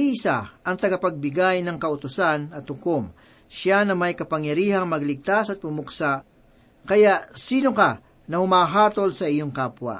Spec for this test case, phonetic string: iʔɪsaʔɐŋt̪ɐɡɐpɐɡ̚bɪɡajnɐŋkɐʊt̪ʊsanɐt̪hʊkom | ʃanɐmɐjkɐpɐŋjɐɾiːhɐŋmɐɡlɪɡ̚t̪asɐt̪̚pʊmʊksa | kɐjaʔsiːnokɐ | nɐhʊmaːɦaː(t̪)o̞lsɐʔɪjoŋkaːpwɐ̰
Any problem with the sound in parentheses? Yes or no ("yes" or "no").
no